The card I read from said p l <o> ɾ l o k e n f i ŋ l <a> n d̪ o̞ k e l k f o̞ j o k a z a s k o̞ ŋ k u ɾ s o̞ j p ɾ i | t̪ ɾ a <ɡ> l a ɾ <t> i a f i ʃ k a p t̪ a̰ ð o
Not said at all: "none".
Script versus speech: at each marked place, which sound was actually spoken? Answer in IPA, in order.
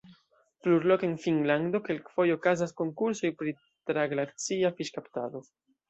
u, a, ɡ, t͡s

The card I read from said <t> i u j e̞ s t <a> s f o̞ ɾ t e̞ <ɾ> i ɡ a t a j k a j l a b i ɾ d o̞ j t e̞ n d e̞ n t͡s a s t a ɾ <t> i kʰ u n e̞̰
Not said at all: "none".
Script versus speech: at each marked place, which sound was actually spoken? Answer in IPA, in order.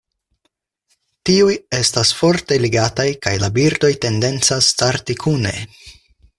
t, a, l, t

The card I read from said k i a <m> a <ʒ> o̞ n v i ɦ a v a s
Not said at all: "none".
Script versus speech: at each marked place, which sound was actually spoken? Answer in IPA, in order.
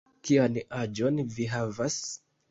n, d͡ʒ

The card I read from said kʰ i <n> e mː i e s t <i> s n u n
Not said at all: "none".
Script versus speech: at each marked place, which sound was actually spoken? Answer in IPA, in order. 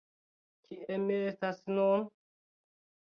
none, a

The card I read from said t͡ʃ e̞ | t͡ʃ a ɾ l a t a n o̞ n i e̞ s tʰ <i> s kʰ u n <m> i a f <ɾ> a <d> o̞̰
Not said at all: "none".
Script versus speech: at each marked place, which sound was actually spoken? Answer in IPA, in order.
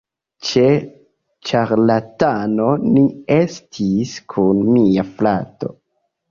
i, m, l, t

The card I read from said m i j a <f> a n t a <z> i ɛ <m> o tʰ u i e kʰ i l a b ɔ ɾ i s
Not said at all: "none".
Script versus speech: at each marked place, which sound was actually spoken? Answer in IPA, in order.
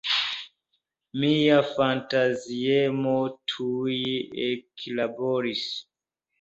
f, z, m

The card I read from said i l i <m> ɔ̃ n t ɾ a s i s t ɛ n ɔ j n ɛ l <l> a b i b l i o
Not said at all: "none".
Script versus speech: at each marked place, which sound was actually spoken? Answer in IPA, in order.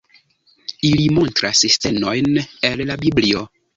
m, l

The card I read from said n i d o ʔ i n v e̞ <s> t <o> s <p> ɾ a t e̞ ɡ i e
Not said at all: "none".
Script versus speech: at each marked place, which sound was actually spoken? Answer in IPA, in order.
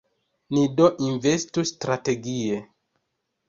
s, u, t

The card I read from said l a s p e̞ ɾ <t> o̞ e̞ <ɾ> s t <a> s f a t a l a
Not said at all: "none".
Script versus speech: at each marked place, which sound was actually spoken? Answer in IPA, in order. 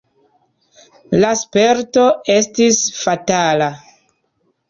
t, none, i

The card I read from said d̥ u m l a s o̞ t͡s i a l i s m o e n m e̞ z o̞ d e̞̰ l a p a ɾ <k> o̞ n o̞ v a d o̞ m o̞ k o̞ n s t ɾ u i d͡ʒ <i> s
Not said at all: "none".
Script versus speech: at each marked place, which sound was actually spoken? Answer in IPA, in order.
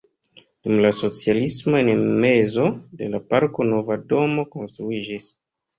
k, i

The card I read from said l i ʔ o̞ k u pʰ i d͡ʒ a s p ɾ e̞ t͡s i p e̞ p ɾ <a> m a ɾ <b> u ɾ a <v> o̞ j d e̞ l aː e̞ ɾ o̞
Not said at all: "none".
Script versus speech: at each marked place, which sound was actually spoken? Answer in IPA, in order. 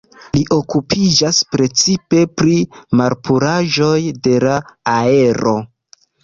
i, p, ʒ

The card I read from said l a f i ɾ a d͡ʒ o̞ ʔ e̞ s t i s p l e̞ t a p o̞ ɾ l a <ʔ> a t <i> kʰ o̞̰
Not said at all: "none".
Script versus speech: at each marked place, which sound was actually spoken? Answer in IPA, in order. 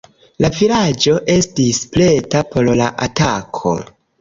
ʔ, a

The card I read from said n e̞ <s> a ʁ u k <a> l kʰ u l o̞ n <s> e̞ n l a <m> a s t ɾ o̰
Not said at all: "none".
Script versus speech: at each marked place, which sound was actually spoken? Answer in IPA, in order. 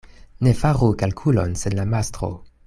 f, a, s, m

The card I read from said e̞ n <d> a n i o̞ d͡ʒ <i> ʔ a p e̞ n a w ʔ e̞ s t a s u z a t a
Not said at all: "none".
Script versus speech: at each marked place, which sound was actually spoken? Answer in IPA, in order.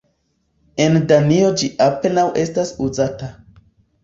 d, i

